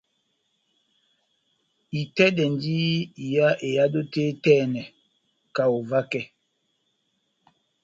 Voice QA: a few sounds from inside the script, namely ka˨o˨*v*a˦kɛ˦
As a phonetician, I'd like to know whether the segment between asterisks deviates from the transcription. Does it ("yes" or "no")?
no